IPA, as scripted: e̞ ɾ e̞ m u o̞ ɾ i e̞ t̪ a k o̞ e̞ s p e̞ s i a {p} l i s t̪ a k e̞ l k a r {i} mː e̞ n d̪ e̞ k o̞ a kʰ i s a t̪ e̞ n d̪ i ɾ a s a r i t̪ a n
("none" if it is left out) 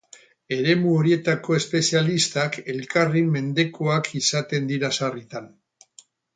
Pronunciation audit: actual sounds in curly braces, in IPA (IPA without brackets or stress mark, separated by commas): none, i